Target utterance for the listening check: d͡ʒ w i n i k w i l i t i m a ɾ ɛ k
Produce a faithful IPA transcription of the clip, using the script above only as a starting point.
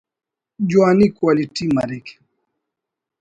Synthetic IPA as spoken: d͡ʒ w a n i k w a l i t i m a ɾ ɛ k

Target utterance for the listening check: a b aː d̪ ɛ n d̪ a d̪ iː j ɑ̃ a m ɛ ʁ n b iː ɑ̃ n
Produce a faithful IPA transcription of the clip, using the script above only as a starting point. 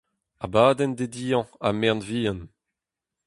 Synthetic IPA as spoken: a b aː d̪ ɛ n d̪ e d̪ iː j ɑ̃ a m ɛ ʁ n v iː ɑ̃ n

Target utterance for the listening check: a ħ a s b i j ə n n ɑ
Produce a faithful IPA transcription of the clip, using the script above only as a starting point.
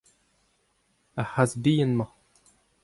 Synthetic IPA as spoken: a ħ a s b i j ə n m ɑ

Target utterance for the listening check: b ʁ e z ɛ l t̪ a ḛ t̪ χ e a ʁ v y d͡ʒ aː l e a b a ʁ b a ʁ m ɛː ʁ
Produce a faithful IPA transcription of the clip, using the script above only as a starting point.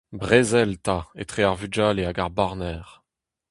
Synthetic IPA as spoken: b ʁ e z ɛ l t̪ a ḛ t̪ χ e a ʁ v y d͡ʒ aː l e a ɡ a ʁ b a ʁ n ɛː ʁ

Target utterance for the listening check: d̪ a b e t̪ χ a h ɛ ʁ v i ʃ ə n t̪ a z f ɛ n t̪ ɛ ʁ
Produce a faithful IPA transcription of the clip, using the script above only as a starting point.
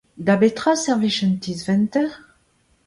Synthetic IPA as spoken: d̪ a b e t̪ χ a s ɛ ʁ v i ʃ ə n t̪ i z v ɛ n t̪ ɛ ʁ

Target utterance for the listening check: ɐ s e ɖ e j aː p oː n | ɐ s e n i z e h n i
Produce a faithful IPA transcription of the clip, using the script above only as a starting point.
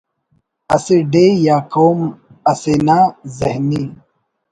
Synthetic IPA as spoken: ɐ s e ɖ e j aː k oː m | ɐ s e n a z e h n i

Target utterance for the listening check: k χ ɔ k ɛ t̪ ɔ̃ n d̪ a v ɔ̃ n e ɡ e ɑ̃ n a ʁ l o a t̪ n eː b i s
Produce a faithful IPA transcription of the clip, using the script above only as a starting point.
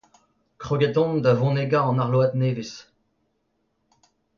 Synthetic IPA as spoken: k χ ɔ ɡ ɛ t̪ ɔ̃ n d̪ a v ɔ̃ n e ɡ a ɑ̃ n a ʁ l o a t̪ n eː v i s

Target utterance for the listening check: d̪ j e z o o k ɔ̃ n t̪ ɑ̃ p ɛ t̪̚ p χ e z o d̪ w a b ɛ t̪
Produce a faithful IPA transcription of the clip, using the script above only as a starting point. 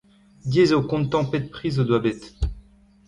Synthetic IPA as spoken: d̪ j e z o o k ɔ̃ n t̪ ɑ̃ p ɛ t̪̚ p χ i z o d̪ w a b ɛ t̪

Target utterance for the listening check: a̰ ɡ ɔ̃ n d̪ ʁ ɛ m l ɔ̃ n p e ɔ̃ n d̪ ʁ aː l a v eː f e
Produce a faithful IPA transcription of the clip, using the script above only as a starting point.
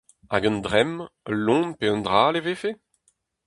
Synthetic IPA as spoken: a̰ ɡ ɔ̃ n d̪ ʁ ɛ m l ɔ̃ n p e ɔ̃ n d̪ ʁ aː l e v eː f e

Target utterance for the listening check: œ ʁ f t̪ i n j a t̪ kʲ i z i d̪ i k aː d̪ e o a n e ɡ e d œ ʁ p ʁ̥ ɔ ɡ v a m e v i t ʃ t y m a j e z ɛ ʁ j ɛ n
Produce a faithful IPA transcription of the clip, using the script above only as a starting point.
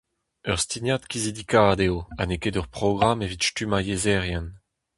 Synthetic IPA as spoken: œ ʁ s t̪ i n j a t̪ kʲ i z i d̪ i k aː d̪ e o a n e k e d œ ʁ p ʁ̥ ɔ ɡ ʁ a m e v i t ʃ t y m a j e z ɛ ʁ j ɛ n

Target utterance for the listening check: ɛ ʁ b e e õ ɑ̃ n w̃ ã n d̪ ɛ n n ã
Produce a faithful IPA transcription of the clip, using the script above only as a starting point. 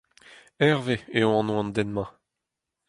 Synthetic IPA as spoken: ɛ ʁ v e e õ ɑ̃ n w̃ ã n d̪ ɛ n m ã

